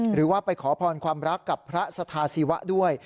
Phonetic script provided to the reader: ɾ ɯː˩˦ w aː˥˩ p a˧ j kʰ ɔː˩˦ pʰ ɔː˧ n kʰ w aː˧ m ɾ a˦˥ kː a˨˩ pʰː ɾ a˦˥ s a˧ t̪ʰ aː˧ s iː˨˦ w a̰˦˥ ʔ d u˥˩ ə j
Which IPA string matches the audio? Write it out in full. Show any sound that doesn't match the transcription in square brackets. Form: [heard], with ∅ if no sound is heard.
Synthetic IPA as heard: ɾ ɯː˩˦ w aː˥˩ p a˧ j kʰ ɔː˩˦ pʰ ɔː˧ n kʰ w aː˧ m ɾ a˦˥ kː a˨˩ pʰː ɾ a˦˥ s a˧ t̪ʰ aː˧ s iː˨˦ w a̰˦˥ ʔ d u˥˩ ə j

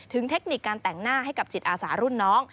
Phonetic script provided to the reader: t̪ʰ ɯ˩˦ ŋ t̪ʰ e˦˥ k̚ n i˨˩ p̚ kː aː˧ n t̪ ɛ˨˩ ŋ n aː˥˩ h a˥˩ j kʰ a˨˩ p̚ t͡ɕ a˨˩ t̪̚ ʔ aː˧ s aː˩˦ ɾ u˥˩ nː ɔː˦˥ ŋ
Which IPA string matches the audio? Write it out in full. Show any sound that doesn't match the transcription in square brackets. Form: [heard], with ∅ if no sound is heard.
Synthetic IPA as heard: t̪ʰ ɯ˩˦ ŋ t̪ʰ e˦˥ k̚ n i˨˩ [∅] kː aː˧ n t̪ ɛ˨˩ ŋ n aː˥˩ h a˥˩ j [k] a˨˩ p̚ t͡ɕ [i˨˩] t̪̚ ʔ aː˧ s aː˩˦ ɾ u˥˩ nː ɔː˦˥ ŋ

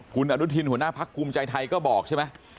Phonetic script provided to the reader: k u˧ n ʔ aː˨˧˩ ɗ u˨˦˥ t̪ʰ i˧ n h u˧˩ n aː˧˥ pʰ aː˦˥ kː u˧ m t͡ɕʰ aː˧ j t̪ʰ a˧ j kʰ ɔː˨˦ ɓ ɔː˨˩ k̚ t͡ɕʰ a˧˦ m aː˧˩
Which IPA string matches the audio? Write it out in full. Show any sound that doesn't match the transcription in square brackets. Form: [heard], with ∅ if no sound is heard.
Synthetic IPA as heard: k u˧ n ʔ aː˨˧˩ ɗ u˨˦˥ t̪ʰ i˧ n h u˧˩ n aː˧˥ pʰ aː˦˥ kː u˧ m [t͡ɕ] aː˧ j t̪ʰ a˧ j [k] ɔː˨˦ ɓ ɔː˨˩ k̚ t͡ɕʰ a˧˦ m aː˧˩

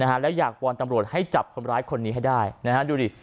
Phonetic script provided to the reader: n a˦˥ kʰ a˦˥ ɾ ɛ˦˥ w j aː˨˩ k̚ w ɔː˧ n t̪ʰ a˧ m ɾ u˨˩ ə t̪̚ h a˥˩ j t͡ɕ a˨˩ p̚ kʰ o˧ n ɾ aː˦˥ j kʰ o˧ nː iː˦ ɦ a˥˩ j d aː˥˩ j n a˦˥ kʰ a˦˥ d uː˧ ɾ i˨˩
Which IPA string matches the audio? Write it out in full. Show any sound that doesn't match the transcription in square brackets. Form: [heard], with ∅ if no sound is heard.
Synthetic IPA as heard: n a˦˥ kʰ a˦˥ [l] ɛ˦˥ w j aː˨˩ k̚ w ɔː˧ n [t̪] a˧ m ɾ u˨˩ ə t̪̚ h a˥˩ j t͡ɕ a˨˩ p̚ kʰ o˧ n ɾ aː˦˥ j kʰ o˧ nː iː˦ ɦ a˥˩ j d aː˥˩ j n a˦˥ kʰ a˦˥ d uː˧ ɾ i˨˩

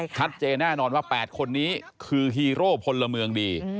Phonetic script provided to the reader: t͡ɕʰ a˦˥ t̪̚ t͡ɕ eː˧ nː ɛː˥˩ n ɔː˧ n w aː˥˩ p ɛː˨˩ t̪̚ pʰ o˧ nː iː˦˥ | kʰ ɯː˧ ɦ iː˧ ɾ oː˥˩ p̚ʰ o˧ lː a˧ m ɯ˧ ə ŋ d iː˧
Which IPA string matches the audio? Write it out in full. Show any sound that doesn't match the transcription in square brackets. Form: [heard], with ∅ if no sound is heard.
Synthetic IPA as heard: t͡ɕʰ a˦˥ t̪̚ t͡ɕ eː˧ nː ɛː˥˩ n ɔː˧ n w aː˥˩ p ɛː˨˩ t̪̚ [kʰ] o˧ nː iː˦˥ | kʰ ɯː˧ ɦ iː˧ ɾ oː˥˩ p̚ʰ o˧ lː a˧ m ɯ˧ ə ŋ d iː˧

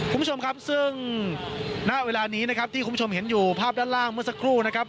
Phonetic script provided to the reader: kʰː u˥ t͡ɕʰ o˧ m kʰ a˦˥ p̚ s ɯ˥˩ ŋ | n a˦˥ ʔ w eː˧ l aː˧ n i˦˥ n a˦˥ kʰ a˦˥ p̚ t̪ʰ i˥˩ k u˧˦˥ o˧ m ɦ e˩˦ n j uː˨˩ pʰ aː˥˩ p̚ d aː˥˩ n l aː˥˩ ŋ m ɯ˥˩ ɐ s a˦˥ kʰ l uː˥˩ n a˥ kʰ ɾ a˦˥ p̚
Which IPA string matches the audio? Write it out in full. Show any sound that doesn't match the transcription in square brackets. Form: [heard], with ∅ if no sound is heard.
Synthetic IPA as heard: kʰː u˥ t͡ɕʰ o˧ m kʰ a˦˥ p̚ s ɯ˥˩ ŋ | n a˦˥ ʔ w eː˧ l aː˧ n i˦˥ n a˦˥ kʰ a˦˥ p̚ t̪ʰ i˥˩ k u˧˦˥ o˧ m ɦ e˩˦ n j uː˨˩ pʰ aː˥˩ p̚ d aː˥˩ n l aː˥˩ ŋ m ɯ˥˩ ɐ s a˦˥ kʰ [ɾ] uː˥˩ n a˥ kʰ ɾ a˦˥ p̚

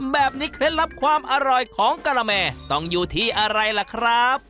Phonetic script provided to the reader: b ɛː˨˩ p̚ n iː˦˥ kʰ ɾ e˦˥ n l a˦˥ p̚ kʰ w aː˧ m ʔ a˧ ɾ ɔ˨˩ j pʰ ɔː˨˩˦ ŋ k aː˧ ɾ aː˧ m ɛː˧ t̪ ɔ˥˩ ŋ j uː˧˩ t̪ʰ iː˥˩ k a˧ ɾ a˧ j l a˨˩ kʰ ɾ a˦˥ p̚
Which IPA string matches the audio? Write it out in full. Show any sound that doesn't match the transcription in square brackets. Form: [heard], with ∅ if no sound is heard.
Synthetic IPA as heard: b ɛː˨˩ p̚ n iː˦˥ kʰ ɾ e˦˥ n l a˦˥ p̚ kʰ w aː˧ m ʔ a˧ ɾ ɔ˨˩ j [kʰ] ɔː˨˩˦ ŋ k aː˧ ɾ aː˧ m ɛː˧ t̪ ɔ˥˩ ŋ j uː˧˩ t̪ʰ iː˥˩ [ʔ] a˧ ɾ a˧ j l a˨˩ kʰ ɾ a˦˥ p̚

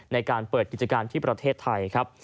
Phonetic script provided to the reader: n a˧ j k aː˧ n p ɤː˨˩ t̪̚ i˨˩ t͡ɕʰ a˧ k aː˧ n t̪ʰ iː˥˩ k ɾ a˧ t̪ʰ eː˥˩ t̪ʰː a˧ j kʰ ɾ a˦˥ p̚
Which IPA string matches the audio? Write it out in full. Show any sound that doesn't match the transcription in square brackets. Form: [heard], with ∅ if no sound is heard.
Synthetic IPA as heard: n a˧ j k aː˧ n p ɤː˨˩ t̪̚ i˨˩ [t͡ɕ] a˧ k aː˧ n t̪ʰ iː˥˩ [p] ɾ a˧ t̪ʰ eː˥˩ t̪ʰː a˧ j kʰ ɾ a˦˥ p̚

